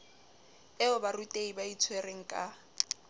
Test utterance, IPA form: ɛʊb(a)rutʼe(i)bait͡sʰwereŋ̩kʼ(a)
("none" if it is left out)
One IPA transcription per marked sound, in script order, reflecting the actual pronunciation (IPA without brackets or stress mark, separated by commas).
a, i, a